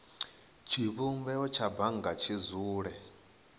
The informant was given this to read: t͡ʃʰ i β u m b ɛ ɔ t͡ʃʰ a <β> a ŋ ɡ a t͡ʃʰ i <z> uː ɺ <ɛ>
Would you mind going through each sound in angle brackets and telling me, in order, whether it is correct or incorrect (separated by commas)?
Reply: incorrect, correct, correct